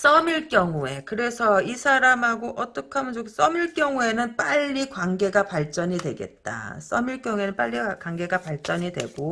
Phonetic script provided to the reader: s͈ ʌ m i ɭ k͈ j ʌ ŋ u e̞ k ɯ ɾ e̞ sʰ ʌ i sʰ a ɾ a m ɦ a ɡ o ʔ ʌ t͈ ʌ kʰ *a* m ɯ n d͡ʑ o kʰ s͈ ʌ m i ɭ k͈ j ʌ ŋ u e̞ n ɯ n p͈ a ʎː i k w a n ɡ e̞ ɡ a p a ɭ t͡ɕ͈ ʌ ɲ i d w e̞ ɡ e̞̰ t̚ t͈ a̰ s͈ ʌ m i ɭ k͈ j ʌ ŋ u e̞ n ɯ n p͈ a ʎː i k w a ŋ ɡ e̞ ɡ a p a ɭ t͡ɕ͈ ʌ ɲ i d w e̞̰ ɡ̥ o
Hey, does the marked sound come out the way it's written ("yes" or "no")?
yes